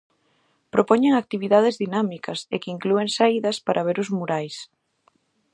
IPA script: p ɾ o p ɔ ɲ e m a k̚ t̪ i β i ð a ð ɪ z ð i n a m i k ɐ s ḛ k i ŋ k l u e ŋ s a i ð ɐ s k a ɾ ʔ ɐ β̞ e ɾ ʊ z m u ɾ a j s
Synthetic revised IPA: p ɾ o p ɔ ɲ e ŋ a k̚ t̪ i β i ð a ð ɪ z ð i n a m i k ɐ s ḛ k i ŋ k l u e ŋ s a i ð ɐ s p a ɾ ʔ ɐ β̞ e ɾ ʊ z m u ɾ a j s